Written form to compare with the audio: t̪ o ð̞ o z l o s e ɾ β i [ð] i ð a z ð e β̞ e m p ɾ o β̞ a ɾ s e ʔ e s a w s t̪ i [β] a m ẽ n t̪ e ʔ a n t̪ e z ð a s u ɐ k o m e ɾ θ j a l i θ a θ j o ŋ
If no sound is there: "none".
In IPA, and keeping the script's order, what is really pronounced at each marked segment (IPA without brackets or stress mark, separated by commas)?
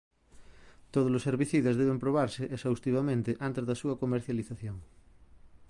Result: θ, β